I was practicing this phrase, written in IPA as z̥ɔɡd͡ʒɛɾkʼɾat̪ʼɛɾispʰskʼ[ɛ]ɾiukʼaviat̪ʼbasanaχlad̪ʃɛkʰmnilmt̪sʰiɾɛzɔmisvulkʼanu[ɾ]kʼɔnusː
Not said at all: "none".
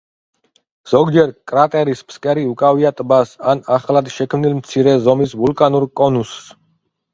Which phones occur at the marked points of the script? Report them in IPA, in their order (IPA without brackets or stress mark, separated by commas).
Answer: ɛ, ɾ